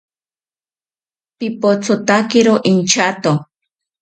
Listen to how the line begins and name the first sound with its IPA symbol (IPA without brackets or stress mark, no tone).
p